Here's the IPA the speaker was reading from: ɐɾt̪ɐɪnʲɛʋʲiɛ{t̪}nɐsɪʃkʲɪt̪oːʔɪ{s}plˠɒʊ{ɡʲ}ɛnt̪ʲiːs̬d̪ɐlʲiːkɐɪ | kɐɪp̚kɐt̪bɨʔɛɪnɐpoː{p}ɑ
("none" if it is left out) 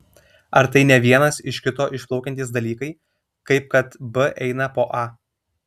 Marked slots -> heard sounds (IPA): none, ʃ, kʲ, ʔ

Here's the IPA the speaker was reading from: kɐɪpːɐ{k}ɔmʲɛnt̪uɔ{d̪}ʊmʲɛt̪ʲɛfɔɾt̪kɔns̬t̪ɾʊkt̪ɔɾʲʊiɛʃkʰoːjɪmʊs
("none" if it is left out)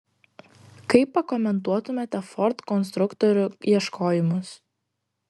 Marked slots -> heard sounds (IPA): k, t̪

